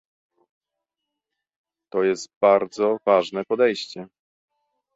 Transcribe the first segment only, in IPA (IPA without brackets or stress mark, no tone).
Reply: t̪